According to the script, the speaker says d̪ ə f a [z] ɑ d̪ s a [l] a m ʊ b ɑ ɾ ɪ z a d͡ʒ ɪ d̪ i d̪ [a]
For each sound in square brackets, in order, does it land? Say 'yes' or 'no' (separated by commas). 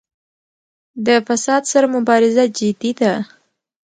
no, no, yes